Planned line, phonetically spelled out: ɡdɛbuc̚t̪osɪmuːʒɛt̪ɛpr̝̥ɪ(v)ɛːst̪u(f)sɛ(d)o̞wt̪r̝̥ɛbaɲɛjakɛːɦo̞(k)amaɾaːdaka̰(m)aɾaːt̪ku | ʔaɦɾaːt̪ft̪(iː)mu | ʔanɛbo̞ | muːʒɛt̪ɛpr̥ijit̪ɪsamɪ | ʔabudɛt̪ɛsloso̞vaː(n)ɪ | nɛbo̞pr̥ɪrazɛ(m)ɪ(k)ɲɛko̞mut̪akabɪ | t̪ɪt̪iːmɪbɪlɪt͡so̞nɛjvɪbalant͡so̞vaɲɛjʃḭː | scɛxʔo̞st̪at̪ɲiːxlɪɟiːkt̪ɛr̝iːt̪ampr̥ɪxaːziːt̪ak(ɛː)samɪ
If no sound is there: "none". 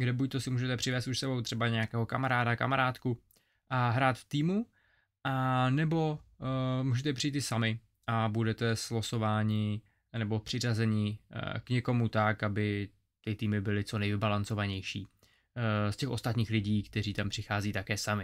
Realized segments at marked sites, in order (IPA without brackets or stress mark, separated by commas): v, ʃ, b, k, m, iː, ɲ, ɲ, k, ɛː